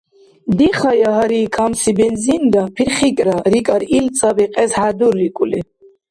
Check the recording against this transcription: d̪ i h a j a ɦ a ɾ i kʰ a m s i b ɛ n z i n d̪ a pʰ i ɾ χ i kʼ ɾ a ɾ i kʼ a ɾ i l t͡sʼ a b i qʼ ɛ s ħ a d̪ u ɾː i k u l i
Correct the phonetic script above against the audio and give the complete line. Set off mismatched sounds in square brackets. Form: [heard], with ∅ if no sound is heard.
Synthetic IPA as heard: d̪ i [χ] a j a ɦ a ɾ i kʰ a m s i b ɛ n z i n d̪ a pʰ i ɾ χ i kʼ ɾ a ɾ i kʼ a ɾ i l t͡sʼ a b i qʼ ɛ s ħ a d̪ u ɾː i [kʼ] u l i